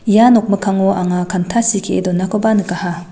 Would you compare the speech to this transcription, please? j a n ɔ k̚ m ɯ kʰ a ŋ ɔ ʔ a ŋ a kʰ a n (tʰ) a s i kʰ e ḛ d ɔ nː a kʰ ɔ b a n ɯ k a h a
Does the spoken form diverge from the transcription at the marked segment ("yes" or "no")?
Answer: no